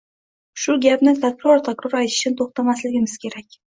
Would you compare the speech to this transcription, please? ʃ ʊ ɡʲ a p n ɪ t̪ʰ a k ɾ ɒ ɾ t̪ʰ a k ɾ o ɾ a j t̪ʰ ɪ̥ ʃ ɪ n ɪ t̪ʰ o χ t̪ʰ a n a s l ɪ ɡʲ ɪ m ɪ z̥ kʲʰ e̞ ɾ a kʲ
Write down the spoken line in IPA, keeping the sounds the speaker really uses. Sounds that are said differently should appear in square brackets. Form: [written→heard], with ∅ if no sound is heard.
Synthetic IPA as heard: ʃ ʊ ɡʲ a p n ɪ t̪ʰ a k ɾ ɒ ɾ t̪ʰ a k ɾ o ɾ a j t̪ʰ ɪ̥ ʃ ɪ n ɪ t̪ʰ o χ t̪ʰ a [n→m] a s l ɪ ɡʲ ɪ m ɪ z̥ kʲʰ e̞ ɾ a kʲ